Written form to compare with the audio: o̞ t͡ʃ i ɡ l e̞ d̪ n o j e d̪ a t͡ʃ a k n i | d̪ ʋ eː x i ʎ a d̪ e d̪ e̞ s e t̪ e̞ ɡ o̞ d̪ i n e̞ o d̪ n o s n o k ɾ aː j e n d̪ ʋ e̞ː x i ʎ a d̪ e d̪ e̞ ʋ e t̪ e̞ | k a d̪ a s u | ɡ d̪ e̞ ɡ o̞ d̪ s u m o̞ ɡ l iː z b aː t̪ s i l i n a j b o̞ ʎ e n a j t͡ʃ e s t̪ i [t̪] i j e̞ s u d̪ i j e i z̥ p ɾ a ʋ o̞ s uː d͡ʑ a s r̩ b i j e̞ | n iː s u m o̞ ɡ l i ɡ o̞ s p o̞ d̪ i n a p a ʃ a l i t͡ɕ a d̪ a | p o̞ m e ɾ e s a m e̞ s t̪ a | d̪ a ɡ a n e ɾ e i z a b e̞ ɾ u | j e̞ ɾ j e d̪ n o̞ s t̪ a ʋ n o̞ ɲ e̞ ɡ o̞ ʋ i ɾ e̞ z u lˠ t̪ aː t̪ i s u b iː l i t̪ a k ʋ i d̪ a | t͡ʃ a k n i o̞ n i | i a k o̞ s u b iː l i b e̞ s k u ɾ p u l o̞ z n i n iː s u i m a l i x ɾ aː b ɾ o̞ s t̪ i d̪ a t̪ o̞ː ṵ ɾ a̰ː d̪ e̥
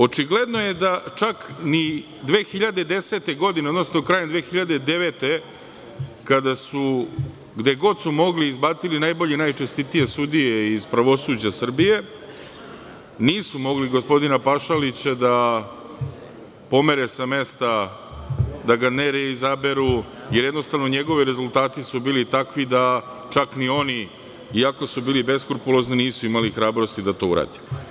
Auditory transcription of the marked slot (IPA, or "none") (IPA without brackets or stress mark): t̪